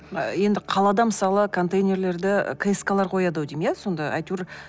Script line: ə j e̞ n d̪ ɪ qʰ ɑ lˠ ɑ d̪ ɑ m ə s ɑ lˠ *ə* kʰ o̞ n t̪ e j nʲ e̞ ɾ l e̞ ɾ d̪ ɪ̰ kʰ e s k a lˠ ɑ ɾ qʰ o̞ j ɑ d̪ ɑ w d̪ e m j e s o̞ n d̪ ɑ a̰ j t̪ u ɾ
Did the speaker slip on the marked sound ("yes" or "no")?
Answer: no